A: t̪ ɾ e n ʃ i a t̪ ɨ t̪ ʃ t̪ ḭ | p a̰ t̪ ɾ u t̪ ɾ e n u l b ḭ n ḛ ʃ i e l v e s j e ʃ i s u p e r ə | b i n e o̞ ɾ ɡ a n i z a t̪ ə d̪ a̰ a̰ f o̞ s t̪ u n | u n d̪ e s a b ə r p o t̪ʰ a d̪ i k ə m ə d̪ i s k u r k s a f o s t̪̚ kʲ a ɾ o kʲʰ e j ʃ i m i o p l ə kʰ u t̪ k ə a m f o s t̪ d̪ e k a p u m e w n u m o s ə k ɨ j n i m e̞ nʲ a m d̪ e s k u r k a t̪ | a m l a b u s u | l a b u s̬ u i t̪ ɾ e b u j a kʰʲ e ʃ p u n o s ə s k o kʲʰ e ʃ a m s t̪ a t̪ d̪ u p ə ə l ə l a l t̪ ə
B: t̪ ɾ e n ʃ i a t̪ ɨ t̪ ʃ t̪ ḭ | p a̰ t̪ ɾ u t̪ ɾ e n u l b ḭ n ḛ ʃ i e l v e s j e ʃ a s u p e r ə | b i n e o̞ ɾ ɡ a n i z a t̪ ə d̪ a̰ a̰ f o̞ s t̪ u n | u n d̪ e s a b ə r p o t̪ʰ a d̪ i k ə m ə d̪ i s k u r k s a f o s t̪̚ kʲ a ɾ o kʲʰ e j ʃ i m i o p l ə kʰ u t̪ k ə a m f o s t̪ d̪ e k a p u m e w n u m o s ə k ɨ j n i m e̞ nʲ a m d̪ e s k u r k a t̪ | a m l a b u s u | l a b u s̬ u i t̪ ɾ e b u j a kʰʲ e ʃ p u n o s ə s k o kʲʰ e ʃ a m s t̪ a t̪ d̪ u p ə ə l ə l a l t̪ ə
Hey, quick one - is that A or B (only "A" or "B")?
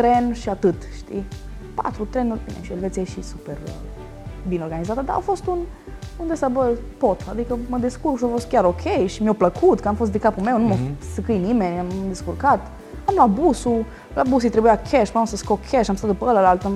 A